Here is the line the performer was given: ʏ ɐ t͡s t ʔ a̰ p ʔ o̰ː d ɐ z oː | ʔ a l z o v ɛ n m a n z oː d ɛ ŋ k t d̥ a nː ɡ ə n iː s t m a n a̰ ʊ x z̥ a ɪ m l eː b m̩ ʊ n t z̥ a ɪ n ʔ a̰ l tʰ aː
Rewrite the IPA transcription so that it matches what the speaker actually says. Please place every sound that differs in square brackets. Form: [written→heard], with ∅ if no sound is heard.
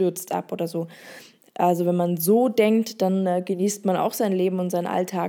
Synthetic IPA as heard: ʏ ɐ t͡s t ʔ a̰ p ʔ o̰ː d ɐ z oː | ʔ a l z o v ɛ n m a n z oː d ɛ ŋ k t d̥ a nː ɡ ə n iː s t m a n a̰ ʊ x z̥ a ɪ [m→n] l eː b m̩ ʊ n t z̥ a ɪ n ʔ a̰ l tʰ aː